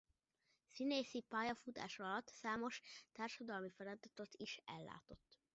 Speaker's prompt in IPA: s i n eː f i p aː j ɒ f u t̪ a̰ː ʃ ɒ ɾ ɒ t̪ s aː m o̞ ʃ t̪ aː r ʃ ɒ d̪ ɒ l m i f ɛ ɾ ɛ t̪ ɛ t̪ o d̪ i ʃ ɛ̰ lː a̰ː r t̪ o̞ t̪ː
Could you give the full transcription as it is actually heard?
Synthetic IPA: s i n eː s i p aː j ɒ f u t̪ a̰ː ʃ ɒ l ɒ t̪ s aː m o̞ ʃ t̪ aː r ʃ ɒ d̪ ɒ l m i f ɛ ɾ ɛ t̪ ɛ t̪ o t̪ i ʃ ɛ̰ lː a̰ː t̪ o̞ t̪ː